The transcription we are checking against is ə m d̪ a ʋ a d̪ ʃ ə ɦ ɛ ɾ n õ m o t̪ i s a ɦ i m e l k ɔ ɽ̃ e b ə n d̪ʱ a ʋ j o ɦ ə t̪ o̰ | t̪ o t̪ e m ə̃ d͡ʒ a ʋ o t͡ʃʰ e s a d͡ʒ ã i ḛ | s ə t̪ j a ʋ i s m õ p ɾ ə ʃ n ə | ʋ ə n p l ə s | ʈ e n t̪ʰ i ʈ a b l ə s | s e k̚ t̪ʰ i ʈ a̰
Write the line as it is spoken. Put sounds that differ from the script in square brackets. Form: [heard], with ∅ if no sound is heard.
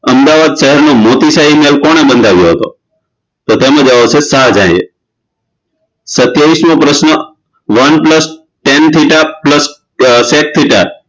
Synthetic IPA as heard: ə m d̪ a ʋ a d̪ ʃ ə ɦ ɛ ɾ n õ m o t̪ i s a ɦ i m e l k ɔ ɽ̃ e b ə n d̪ʱ a ʋ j o ɦ ə t̪ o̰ | t̪ o t̪ e m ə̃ d͡ʒ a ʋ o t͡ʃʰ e s a d͡ʒ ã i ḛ | s ə t̪ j a ʋ i s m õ p ɾ ə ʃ n ə | ʋ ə n p l ə s | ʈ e n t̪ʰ i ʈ a [p] l ə s | s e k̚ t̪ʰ i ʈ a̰